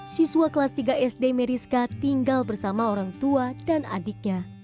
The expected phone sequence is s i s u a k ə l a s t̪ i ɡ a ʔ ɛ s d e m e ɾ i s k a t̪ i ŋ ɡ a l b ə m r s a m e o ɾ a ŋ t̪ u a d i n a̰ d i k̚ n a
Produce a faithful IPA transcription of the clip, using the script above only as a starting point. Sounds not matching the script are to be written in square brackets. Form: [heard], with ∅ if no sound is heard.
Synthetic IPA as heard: s i s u a k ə l a s t̪ i ɡ a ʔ ɛ s d e m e ɾ i s k a t̪ i ŋ ɡ a l b ə [∅] r s a m [a] o ɾ a ŋ t̪ u a d [a] n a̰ d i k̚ [ɲ] a